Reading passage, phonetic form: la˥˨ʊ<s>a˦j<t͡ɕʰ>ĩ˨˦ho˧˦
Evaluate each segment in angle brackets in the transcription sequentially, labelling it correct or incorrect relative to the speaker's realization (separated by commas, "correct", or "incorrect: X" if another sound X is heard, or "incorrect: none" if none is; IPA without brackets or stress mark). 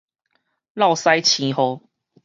correct, correct